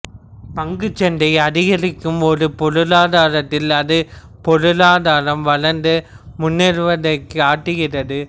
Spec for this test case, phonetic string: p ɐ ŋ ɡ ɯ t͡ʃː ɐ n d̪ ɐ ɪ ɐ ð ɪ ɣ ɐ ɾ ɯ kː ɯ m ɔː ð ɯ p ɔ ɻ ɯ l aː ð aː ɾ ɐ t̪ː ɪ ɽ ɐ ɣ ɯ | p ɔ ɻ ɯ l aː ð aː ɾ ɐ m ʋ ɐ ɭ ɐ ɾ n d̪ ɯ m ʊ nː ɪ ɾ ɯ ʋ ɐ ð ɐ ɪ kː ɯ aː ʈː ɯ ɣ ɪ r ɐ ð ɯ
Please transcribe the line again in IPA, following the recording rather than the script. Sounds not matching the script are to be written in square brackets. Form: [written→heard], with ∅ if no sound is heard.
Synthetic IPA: p ɐ ŋ ɡ ɯ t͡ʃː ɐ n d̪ ɐ ɪ ɐ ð ɪ ɣ ɐ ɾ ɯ kː ɯ m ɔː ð ɯ p ɔ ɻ ɯ l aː ð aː ɾ ɐ t̪ː ɪ [ɽ→l] ɐ [ɣ→ð] ɯ | p ɔ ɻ ɯ l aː ð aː ɾ ɐ m ʋ ɐ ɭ ɐ ɾ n d̪ ɯ m ʊ nː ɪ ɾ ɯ ʋ ɐ ð ɐ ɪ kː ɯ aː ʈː ɯ ɣ ɪ r ɐ ð ɯ